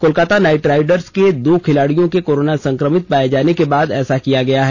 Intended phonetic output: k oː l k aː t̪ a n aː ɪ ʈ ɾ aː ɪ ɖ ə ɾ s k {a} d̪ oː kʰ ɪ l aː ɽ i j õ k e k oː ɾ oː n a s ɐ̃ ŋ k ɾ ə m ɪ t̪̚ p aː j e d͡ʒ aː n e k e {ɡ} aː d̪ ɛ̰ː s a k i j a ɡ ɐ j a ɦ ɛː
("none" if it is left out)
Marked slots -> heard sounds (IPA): e, b

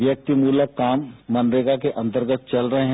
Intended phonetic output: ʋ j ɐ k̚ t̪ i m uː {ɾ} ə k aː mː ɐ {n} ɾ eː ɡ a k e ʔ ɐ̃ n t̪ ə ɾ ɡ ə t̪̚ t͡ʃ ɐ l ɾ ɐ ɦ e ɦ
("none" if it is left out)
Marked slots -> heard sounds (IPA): l, n

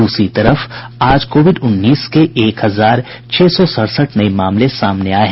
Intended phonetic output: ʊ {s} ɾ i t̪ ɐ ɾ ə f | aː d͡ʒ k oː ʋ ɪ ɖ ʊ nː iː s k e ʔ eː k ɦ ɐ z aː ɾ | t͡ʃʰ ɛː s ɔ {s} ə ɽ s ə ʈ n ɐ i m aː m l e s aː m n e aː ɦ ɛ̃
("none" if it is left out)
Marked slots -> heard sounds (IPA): s, s

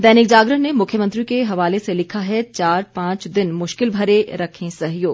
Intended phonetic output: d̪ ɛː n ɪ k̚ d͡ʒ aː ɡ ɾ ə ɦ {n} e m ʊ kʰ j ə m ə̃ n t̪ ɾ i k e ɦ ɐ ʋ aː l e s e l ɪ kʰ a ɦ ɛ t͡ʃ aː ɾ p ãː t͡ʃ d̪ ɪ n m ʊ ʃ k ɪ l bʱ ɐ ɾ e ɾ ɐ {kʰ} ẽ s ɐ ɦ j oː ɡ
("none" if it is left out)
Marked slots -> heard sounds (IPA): n, kʰ

